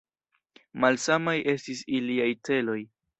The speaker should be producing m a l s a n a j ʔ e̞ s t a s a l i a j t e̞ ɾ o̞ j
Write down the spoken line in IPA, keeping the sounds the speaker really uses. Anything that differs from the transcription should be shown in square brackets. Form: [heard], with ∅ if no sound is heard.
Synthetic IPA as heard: m a l s a [m] a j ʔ e̞ s t [i] s [i] l i a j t e̞ [l] o̞ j